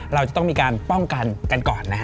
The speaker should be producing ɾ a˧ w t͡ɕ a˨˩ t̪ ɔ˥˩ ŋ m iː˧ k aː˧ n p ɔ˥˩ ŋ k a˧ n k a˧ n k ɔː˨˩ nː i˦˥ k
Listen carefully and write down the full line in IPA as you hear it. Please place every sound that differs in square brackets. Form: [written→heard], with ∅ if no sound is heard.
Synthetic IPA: ɾ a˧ w t͡ɕ a˨˩ t̪ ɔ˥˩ ŋ m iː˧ k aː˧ n p ɔ˥˩ ŋ k a˧ n k a˧ n k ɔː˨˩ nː [i˦˥→a˦˥] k

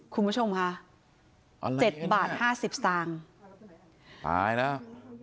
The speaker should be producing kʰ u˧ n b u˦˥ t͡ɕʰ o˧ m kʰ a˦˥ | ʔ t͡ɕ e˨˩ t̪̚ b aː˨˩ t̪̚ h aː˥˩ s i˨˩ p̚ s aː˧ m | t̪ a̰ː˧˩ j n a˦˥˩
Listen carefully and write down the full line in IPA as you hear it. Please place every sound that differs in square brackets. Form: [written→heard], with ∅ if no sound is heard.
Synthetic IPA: kʰ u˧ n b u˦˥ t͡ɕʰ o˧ m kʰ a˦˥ | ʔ t͡ɕ e˨˩ t̪̚ b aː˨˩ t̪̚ h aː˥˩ s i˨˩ p̚ s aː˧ [m→ŋ] | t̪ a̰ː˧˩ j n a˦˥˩

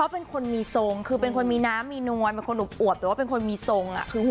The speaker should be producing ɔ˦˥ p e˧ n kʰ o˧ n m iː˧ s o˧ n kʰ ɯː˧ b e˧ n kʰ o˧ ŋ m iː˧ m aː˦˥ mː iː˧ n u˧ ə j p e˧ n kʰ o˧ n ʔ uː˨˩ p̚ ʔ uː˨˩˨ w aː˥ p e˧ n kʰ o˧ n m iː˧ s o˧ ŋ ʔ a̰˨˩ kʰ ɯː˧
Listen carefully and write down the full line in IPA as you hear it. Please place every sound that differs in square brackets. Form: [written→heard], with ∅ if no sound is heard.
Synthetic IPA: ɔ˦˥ p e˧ n kʰ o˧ n m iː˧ s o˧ [n→ŋ] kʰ ɯː˧ [b→p] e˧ n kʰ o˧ [ŋ→n] m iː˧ [m→n] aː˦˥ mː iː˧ n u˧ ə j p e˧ n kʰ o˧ n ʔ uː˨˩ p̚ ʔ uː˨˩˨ w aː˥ p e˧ n kʰ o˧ n m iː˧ s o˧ ŋ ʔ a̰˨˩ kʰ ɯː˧

